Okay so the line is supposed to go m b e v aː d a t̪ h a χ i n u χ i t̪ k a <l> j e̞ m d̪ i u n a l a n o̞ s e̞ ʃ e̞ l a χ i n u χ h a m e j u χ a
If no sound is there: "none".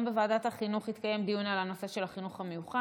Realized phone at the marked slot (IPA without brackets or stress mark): none